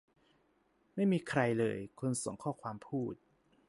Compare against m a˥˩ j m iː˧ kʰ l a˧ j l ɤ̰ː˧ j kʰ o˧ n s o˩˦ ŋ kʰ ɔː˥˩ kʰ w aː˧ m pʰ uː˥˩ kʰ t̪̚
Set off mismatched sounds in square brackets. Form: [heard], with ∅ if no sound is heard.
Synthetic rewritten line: m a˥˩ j m iː˧ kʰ [ɾ] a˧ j l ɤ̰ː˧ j kʰ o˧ n s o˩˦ ŋ kʰ ɔː˥˩ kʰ w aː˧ m pʰ uː˥˩ [∅] t̪̚